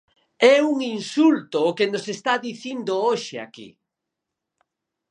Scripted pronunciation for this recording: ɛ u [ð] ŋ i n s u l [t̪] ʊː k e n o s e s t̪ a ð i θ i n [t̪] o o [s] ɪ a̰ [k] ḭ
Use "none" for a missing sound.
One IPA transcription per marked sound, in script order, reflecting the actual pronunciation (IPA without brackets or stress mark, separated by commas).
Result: none, t̪, d̪, ʃ, k